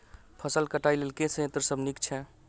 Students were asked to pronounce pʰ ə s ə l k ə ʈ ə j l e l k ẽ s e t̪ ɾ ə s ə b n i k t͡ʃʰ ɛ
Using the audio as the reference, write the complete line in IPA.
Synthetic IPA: pʰ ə s ə l k ə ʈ a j l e l k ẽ s e t̪ ɾ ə s ə b n i k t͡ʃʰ ɛ